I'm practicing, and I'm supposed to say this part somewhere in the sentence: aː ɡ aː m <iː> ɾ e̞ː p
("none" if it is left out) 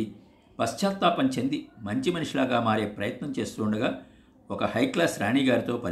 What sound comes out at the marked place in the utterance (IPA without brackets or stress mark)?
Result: aː